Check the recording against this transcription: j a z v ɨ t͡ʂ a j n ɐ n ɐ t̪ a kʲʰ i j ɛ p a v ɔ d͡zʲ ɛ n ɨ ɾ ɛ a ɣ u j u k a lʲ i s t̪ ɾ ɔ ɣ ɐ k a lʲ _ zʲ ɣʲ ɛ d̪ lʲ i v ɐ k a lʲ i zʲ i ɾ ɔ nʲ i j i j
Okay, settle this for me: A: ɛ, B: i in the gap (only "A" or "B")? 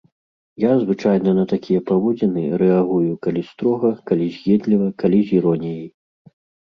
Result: B